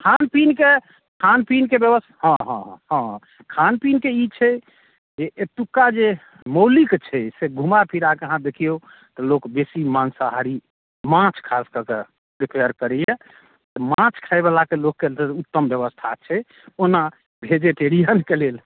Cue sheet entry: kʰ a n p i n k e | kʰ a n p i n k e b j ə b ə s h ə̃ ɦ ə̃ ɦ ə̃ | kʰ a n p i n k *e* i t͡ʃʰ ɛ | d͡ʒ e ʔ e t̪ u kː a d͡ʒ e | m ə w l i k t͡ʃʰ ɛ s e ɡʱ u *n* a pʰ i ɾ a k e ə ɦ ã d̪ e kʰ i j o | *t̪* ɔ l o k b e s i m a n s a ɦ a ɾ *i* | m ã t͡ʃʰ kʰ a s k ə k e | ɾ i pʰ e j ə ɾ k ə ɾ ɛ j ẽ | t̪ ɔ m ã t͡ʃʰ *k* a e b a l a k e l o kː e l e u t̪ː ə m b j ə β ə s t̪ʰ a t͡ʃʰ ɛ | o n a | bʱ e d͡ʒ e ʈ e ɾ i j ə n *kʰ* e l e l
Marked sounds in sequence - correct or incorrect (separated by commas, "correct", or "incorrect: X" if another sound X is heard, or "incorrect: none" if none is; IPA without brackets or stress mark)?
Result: correct, incorrect: m, correct, correct, incorrect: kʰ, incorrect: k